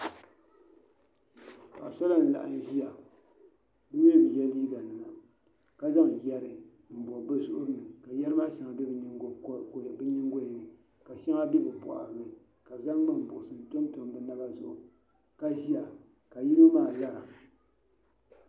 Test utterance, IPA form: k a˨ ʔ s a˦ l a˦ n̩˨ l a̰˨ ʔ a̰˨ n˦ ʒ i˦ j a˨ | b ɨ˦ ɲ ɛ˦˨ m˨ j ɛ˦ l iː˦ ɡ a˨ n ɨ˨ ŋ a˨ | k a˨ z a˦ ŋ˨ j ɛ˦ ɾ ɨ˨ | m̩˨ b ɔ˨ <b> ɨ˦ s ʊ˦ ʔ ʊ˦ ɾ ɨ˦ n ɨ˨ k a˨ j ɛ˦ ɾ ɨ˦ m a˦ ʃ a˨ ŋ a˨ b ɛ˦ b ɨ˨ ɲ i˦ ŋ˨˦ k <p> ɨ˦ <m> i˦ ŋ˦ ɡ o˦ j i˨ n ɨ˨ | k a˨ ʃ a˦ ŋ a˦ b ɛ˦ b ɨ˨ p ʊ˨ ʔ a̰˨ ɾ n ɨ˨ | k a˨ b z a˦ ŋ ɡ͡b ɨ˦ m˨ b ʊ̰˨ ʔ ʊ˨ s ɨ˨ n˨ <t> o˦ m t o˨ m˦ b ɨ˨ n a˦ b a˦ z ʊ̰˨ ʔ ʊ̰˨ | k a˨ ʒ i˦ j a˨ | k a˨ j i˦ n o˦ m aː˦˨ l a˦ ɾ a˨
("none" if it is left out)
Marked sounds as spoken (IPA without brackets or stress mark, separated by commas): b, b, ɲ, t